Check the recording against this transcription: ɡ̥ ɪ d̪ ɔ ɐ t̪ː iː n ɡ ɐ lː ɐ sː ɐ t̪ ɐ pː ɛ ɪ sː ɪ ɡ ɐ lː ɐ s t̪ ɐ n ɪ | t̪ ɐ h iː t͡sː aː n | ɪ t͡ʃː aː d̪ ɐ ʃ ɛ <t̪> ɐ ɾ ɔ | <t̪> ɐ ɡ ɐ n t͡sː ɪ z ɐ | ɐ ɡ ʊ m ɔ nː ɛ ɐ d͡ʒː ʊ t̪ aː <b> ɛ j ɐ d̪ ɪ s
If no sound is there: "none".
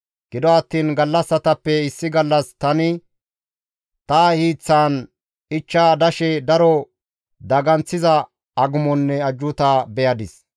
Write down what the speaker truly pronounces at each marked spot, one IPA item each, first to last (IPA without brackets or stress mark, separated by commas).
d̪, d̪, b